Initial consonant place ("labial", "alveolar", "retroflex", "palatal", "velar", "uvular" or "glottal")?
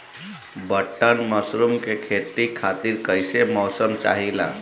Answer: labial